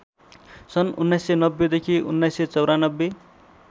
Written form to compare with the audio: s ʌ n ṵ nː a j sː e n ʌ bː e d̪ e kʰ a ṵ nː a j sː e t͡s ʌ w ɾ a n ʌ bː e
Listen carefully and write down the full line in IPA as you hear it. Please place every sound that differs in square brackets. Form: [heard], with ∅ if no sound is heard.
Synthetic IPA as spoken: s ʌ n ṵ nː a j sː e n ʌ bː e d̪ e kʰ [i] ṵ nː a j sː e t͡s ʌ w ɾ a n ʌ bː e